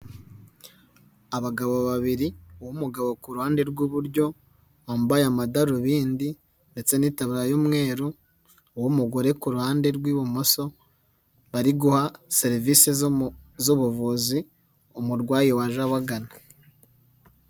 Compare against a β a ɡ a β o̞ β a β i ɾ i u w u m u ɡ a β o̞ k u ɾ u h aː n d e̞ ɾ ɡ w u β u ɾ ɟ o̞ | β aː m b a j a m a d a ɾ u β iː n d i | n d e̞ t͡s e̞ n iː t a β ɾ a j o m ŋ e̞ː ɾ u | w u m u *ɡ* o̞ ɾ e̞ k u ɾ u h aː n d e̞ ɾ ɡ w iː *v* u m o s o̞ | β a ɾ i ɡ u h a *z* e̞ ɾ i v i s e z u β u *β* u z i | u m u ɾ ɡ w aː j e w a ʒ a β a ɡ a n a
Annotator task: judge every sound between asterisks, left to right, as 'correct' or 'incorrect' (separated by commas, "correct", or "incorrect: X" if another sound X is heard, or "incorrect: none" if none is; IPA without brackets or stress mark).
correct, incorrect: β, incorrect: s, incorrect: v